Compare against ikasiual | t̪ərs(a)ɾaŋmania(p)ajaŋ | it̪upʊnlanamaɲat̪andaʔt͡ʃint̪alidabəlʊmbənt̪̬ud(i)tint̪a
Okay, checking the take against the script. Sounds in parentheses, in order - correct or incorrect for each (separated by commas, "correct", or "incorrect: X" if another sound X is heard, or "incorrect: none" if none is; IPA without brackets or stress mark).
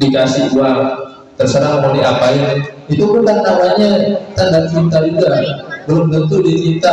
incorrect: ə, correct, correct